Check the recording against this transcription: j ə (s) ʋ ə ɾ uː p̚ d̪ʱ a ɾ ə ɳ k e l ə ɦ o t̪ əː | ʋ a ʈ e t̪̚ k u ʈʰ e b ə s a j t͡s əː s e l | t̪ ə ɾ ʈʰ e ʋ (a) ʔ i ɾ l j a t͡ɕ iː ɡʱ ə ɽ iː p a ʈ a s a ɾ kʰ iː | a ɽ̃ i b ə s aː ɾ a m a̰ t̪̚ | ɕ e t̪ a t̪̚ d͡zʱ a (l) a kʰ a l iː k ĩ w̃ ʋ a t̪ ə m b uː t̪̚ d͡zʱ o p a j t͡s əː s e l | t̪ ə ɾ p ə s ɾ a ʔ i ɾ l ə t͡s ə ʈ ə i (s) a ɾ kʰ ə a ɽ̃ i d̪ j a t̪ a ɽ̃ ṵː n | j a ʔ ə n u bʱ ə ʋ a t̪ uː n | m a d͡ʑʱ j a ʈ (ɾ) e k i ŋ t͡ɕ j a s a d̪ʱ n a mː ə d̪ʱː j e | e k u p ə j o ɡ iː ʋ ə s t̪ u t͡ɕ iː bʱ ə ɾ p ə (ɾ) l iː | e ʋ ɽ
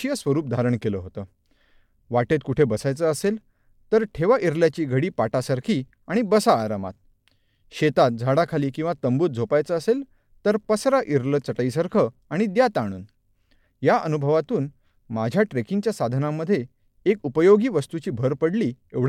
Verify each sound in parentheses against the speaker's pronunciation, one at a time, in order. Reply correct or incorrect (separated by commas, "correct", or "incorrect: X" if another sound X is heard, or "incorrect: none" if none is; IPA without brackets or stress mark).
correct, correct, incorrect: ɽ, correct, correct, incorrect: ɽ